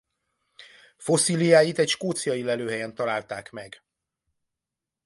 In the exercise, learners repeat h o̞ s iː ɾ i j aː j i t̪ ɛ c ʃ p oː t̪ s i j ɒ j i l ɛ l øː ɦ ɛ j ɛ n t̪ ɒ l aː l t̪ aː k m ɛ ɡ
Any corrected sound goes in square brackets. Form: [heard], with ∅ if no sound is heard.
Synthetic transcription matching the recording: [f] o̞ s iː [l] i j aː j i t̪ ɛ c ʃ [k] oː t̪ s i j ɒ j i l ɛ l øː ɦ ɛ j ɛ n t̪ ɒ l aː l t̪ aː k m ɛ ɡ